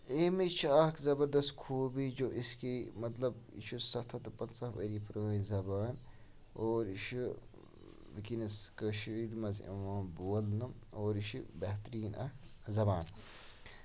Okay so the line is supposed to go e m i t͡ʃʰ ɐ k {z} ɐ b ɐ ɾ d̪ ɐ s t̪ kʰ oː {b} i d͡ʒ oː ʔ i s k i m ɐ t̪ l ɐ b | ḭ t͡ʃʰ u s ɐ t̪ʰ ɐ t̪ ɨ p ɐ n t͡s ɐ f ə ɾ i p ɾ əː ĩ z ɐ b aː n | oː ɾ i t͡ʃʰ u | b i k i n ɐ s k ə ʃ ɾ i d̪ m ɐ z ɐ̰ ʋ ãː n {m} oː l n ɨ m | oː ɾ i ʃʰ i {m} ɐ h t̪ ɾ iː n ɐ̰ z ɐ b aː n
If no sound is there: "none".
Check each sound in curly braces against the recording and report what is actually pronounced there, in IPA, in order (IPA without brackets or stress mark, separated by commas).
z, b, b, b